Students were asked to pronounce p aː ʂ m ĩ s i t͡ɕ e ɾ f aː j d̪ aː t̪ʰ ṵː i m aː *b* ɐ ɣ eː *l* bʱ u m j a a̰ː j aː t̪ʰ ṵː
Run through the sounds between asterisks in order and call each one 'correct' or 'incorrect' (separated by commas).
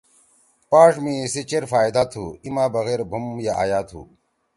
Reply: correct, incorrect